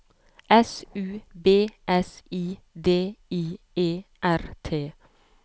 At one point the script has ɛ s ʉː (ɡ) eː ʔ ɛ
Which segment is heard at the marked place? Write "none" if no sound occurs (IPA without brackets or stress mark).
b